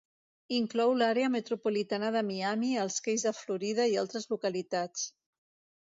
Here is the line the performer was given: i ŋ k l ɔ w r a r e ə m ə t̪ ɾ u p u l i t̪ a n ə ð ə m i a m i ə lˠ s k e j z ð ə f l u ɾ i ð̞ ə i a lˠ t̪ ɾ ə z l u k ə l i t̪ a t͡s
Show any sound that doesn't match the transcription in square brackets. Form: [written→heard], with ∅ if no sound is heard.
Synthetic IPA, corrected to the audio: i ŋ k l ɔ w [r→l] a [r→ɾ] e ə m ə t̪ ɾ u p u l i t̪ a n ə ð ə m i a m i ə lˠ s k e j z ð ə f l u ɾ i ð̞ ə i a lˠ t̪ ɾ ə z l u k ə l i t̪ a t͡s